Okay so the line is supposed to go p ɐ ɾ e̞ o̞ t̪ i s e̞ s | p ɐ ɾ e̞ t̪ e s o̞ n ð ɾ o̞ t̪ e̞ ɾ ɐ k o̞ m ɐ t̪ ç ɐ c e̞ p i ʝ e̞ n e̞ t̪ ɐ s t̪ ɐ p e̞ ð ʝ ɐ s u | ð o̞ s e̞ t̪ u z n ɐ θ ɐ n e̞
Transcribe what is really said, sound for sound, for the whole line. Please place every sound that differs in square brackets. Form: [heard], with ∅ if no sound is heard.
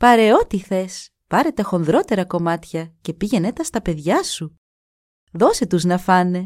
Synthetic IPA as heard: p ɐ ɾ e̞ o̞ t̪ i [θ] e̞ s | p ɐ ɾ e̞ t̪ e [x] o̞ n ð ɾ o̞ t̪ e̞ ɾ ɐ k o̞ m ɐ t̪ ç ɐ c e̞ p i ʝ e̞ n e̞ t̪ ɐ s t̪ ɐ p e̞ ð ʝ ɐ s u | ð o̞ s e̞ t̪ u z n ɐ [f] ɐ n e̞